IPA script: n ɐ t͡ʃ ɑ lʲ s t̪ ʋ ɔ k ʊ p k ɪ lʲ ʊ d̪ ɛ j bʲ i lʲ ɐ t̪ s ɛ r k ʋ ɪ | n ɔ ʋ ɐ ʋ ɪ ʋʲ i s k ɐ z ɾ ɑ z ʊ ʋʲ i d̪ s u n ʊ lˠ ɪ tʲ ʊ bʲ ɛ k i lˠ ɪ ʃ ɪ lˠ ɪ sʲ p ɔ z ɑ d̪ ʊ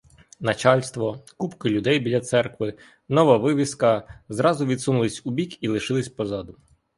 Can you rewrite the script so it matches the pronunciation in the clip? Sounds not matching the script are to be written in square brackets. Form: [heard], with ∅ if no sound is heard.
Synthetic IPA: n ɐ t͡ʃ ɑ lʲ s t̪ ʋ ɔ k [u] p k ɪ lʲ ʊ d̪ ɛ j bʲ i lʲ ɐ t̪ s ɛ r k ʋ ɪ | n ɔ ʋ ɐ ʋ ɪ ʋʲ i s k ɐ z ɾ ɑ z ʊ ʋʲ i d̪ s u n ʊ lˠ ɪ [sʲ] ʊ bʲ [i] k i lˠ ɪ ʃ ɪ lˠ ɪ sʲ p ɔ z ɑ d̪ ʊ